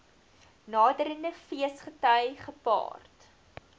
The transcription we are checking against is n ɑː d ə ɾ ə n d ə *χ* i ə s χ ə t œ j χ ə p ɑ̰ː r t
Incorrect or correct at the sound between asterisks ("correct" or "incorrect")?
incorrect